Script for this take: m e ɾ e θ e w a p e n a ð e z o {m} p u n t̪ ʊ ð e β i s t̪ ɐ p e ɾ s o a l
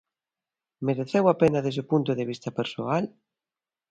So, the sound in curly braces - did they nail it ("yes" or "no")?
no